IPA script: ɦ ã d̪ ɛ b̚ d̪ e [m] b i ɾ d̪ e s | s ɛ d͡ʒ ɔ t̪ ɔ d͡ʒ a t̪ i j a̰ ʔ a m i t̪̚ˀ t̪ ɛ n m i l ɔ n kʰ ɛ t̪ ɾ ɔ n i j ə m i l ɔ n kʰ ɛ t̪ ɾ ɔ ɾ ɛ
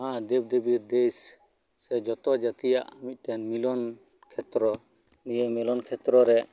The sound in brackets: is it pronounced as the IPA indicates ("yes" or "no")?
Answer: no